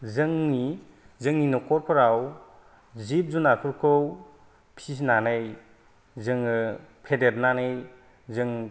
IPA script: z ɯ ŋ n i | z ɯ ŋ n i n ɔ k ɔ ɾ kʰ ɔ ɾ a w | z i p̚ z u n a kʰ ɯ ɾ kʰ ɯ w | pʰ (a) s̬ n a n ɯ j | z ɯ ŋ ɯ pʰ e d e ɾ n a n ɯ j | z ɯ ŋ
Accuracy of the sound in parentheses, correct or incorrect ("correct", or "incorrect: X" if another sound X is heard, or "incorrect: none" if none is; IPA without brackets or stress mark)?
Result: incorrect: i